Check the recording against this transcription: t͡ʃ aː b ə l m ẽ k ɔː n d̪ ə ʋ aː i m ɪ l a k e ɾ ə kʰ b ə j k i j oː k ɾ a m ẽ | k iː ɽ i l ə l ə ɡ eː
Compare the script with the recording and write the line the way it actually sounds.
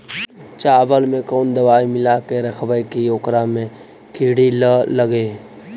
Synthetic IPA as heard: t͡ʃ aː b ə l m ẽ k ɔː n d̪ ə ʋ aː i m ɪ l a k e ɾ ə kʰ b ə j k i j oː k ɾ a m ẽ | k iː ɽ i l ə l ə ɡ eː